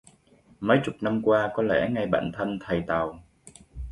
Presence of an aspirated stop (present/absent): present